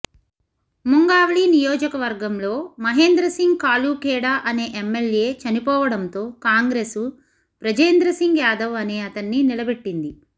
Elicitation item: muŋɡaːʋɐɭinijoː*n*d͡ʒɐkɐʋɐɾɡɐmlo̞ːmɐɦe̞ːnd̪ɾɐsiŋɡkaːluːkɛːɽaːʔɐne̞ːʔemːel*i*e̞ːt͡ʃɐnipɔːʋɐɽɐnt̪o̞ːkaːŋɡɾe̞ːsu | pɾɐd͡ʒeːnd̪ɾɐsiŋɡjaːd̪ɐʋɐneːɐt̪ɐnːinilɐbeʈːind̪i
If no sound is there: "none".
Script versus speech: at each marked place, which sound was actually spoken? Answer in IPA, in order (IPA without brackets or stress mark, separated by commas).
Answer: none, j